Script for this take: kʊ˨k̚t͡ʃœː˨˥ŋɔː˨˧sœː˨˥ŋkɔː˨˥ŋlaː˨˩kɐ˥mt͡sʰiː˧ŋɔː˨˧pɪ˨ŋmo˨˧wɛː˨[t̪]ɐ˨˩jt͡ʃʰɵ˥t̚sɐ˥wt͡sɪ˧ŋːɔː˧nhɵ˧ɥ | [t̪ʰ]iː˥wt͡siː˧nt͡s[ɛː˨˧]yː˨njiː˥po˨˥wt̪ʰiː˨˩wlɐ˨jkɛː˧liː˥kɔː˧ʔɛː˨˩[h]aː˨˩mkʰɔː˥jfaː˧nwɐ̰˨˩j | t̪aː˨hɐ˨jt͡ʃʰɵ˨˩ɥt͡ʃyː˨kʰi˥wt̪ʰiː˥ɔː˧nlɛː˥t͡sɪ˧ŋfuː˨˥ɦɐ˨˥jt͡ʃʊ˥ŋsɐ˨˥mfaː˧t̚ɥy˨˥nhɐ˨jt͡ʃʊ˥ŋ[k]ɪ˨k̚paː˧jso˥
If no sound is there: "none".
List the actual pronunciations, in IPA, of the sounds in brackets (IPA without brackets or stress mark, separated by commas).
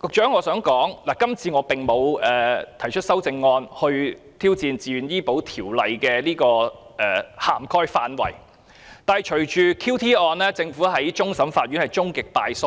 t̪ʰ, t̪ʰ, iː˨˧, h, k